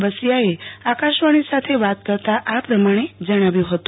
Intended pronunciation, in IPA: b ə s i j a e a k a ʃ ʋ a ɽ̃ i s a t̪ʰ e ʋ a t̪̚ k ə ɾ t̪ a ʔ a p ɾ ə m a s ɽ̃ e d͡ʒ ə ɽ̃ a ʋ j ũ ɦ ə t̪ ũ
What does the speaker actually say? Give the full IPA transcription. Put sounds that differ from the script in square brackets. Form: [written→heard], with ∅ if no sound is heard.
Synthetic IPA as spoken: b ə s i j a e a k a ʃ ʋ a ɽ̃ i s a t̪ʰ e ʋ a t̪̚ k ə ɾ t̪ a ʔ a p ɾ ə m a [s→∅] ɽ̃ e d͡ʒ ə ɽ̃ a ʋ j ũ ɦ ə t̪ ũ